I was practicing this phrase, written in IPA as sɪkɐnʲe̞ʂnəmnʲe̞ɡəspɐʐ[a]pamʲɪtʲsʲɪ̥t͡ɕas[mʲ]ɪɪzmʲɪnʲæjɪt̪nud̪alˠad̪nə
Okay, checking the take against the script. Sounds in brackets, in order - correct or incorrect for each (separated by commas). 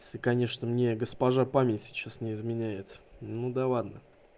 correct, incorrect